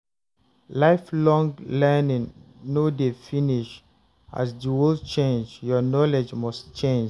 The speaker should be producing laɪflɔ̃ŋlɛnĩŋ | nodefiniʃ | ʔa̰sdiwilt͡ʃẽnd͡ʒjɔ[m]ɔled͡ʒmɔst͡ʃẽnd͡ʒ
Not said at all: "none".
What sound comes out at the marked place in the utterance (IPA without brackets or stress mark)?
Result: n